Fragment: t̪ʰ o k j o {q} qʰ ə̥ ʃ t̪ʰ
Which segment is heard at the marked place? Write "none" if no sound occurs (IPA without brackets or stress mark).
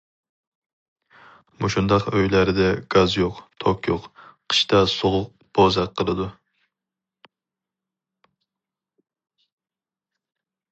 q